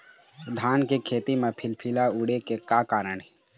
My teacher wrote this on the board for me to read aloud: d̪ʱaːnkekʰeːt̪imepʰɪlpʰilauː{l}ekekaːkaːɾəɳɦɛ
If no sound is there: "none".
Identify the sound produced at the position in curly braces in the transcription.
ɽ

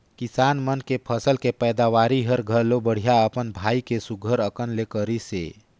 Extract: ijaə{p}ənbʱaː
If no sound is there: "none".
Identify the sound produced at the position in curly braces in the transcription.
p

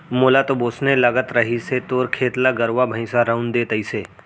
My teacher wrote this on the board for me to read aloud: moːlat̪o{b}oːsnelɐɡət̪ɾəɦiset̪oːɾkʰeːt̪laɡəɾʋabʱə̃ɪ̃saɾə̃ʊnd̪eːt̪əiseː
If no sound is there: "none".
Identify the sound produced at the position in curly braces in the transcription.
b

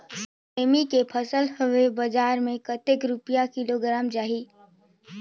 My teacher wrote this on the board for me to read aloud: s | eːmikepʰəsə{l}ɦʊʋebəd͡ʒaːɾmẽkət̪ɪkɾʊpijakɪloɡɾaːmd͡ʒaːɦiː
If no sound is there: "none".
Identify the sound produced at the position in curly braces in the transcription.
l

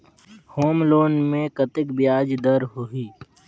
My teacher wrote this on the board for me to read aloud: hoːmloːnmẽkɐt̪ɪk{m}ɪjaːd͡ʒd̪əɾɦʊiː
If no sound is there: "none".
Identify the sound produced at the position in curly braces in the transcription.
b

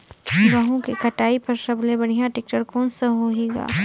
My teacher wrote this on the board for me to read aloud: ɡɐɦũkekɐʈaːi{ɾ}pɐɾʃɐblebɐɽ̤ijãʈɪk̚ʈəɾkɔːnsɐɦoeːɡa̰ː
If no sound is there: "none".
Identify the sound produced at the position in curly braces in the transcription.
none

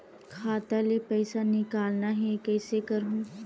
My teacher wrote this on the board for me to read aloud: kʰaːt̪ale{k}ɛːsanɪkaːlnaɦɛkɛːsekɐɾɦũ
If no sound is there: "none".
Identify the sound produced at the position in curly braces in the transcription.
p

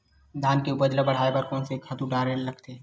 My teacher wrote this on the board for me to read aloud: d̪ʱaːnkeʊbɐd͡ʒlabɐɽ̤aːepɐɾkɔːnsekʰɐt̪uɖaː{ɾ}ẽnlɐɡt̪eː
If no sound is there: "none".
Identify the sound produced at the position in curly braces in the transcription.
ɾ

